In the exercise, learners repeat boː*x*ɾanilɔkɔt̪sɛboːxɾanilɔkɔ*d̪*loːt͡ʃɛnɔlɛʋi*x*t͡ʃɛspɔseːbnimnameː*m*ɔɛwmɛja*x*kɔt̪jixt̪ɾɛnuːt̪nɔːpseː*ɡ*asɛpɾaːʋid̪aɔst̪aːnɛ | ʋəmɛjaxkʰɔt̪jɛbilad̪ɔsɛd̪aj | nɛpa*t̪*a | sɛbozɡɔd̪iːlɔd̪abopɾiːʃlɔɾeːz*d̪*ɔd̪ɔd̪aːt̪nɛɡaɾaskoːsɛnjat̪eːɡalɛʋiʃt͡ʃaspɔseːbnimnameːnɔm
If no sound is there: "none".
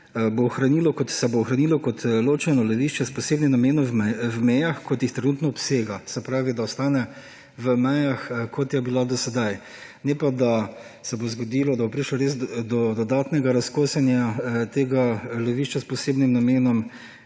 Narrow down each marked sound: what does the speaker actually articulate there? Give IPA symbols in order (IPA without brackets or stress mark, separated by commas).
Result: x, t̪, ʃ, n, x, ɡ, d̪, d̪